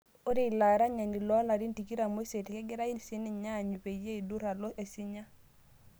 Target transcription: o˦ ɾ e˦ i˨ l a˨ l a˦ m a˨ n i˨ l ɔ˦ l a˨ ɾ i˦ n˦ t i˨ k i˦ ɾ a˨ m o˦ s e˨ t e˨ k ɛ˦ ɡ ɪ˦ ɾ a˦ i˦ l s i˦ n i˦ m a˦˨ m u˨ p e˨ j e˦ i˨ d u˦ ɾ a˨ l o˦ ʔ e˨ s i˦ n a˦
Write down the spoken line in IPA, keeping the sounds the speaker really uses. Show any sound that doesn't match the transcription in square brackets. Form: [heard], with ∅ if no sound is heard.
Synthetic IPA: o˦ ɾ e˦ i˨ l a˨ [ɾ] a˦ [ɲ] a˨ n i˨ l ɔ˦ l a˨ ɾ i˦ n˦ t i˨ k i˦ ɾ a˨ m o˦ s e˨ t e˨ k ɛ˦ ɡ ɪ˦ ɾ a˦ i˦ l s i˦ n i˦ [ɲ] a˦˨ [ɲ] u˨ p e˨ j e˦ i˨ d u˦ ɾ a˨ l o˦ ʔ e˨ s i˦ [ɲ] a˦